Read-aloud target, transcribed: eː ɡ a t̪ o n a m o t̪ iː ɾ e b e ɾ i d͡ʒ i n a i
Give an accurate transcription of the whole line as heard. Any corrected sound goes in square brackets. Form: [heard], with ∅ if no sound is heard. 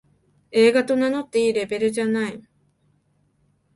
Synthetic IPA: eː ɡ a t̪ o n a [n] o t̪ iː ɾ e b e ɾ [e] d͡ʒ [a] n a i